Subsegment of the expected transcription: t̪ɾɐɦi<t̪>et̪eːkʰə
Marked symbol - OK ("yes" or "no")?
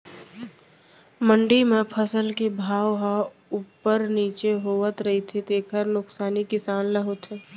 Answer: no